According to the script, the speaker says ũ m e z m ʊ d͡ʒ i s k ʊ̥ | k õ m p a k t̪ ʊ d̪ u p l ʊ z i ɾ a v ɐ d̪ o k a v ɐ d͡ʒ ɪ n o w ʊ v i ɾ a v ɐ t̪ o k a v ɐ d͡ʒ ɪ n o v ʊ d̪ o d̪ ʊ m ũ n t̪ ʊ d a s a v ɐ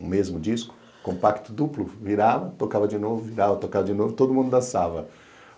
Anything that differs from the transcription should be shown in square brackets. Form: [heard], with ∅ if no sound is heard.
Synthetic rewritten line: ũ m e z m ʊ d͡ʒ i s k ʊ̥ | k õ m p a k t̪ ʊ d̪ u p l ʊ [v] i ɾ a v ɐ [t̪] o k a v ɐ d͡ʒ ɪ n o [v] ʊ v i ɾ a v ɐ t̪ o k a v ɐ d͡ʒ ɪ n o v ʊ [t̪] o d̪ ʊ m ũ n [d̪] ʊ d a s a v ɐ